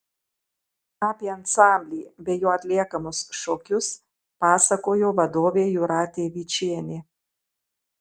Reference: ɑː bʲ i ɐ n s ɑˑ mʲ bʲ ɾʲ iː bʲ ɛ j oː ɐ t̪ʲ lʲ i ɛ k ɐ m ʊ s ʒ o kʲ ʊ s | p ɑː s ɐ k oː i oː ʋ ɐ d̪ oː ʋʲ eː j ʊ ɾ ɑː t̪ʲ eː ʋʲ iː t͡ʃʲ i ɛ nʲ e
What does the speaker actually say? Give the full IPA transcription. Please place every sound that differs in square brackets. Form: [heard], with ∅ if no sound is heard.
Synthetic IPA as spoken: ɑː [pʲ] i ɐ n s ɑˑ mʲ bʲ [lʲ] iː bʲ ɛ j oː ɐ t̪ʲ lʲ i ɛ k ɐ m ʊ s [ʃ] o kʲ ʊ s | p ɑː s ɐ k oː [j] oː ʋ ɐ d̪ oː ʋʲ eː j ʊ ɾ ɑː t̪ʲ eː ʋʲ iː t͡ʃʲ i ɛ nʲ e